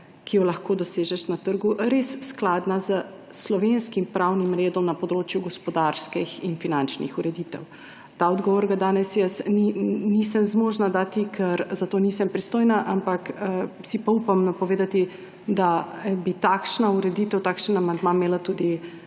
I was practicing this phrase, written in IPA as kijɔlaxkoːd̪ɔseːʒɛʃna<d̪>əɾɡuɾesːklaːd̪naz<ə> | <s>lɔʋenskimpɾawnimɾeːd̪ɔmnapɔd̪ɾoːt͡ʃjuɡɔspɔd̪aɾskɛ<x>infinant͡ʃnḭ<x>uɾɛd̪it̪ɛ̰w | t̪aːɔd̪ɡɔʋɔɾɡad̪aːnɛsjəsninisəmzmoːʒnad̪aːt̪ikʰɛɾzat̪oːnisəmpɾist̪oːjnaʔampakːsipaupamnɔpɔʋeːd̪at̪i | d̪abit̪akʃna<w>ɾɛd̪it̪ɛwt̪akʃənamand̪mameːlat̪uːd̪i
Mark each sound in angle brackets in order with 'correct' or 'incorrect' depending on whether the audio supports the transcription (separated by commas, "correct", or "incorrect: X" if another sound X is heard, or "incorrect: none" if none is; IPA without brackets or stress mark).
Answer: incorrect: t̪, correct, correct, correct, correct, incorrect: u